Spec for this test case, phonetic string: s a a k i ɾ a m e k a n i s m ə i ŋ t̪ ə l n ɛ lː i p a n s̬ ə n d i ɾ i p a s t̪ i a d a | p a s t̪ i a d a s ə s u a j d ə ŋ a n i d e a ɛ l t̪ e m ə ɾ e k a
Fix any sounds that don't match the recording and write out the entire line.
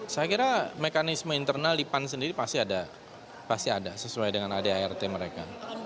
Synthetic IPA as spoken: s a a k i ɾ a m e k a n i s m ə i n t̪ ə r n a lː i p a n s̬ ə n d i ɾ i p a s t̪ i a d a | p a s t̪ i a d a s ə s u a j d ə ŋ a n a d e a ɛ r t̪ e m ə ɾ e k a